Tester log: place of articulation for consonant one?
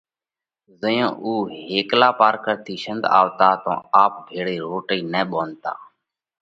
alveolar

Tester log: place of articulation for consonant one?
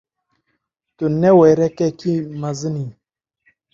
alveolar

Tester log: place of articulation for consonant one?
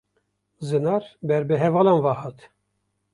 alveolar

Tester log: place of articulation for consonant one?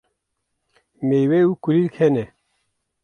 labial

